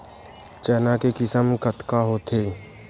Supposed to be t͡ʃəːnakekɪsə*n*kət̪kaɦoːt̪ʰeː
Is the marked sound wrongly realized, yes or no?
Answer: yes